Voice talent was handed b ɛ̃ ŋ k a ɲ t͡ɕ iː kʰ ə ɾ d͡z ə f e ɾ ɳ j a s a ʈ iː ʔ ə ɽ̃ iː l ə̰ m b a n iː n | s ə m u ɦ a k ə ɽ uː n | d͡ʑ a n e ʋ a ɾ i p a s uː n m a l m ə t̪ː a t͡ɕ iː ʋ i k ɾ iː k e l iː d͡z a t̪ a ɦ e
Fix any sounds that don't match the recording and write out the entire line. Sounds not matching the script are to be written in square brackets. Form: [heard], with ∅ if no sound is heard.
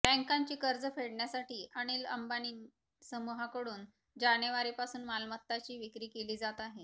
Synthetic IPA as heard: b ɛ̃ ŋ k a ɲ t͡ɕ iː [k] ə ɾ d͡z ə f e [ɽ] ɳ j a s a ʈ iː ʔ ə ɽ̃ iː l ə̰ m b a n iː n | s ə m u ɦ a k ə ɽ uː n | d͡ʑ a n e ʋ a ɾ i p a s uː n m a l m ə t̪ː a t͡ɕ iː ʋ i k ɾ iː k e l iː d͡z a t̪ a ɦ e

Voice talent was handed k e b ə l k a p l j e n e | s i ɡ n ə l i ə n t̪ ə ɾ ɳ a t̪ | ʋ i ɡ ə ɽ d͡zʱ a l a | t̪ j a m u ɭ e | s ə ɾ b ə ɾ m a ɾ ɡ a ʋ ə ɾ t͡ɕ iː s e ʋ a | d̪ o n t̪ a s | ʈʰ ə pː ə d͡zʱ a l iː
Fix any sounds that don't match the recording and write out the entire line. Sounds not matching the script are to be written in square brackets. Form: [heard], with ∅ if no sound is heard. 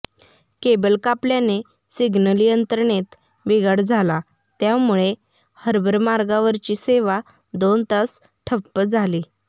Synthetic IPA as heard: k e b ə l k a p l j [a] n e | s i ɡ n ə l i ə n t̪ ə ɾ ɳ [e] t̪ | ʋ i ɡ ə ɽ d͡zʱ a l a | t̪ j a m u ɭ e | [h] ə ɾ b ə ɾ m a ɾ ɡ a ʋ ə ɾ t͡ɕ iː s e ʋ a | d̪ o n t̪ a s | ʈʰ ə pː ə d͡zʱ a l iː

